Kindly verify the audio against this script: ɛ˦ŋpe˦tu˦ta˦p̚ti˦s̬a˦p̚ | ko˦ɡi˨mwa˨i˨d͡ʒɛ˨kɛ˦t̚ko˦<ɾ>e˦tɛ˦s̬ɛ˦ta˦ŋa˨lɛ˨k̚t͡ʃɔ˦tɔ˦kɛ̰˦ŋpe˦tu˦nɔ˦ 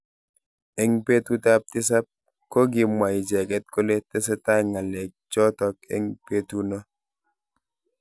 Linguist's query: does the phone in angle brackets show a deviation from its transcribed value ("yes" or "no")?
yes